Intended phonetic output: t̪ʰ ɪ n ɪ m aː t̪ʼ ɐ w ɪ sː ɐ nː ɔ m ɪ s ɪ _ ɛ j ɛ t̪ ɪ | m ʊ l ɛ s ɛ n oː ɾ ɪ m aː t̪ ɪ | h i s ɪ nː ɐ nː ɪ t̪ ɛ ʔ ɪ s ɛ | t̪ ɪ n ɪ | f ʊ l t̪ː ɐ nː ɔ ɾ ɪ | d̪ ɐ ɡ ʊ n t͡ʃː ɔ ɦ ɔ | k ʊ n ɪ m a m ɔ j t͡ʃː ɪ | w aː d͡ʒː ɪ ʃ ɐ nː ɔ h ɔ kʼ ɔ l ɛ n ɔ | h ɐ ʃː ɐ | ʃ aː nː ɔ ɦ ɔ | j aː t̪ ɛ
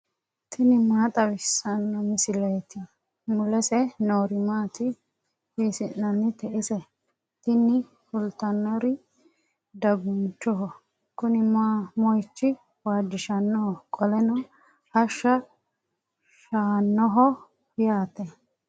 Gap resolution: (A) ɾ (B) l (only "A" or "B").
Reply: B